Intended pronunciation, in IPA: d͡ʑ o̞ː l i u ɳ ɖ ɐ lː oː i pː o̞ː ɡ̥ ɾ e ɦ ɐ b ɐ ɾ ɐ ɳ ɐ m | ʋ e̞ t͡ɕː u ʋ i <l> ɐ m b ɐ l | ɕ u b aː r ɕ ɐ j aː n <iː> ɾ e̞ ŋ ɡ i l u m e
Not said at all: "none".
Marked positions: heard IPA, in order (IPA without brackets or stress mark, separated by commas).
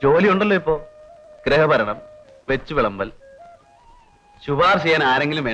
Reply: ɭ, aː